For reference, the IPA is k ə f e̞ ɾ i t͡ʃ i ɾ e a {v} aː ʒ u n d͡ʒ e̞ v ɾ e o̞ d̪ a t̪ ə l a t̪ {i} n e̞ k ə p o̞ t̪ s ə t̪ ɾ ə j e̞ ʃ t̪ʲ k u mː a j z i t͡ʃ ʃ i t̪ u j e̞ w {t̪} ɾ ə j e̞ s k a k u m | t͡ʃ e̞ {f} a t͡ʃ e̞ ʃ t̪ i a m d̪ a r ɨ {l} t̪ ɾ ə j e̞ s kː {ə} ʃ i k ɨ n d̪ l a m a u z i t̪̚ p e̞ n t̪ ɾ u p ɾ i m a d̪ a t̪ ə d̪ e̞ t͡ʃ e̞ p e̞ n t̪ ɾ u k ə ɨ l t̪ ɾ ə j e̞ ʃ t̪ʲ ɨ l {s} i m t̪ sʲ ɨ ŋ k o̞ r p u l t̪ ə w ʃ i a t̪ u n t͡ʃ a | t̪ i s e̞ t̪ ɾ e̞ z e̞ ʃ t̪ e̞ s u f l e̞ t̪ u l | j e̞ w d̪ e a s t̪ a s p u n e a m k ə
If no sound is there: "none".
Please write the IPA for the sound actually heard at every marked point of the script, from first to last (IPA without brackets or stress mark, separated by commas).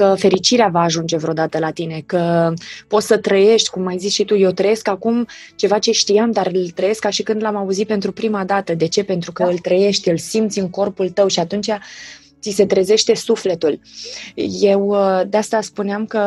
v, i, t̪, v, l, a, s